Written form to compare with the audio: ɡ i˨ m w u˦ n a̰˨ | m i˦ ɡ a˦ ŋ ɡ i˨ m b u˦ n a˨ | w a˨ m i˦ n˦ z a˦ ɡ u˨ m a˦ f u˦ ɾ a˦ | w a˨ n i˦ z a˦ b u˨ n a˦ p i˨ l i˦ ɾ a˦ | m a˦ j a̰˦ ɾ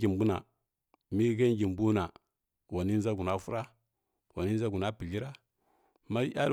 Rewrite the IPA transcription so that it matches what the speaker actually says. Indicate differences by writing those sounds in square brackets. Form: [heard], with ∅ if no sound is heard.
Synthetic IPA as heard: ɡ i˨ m [b] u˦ n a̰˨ | m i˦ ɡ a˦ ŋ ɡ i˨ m b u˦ n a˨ | w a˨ [n] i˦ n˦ z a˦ ɡ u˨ [n] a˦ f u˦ ɾ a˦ | w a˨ n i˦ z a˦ [ɡ] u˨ n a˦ p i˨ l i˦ ɾ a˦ | m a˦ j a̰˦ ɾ

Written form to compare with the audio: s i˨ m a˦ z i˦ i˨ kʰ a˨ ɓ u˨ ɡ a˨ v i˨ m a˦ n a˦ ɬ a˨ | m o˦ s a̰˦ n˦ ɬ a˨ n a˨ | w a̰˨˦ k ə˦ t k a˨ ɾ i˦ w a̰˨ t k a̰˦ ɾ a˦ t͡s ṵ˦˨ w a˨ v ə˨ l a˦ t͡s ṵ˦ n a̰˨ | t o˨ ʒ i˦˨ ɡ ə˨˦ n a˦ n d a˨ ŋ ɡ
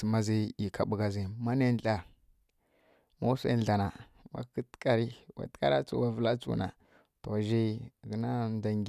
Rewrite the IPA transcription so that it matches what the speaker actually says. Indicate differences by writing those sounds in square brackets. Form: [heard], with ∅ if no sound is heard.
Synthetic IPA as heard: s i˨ m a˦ z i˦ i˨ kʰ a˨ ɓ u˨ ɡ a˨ [z] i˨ m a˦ n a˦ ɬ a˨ | m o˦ s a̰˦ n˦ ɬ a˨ n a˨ | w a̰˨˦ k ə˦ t k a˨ ɾ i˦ w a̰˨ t k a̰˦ ɾ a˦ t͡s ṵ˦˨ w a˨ v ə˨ l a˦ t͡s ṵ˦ n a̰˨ | t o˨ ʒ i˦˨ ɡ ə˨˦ n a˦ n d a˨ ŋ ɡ

